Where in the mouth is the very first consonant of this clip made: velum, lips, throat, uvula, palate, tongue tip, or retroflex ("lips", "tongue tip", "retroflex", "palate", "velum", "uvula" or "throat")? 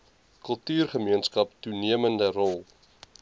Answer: velum